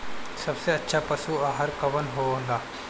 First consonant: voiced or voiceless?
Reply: voiceless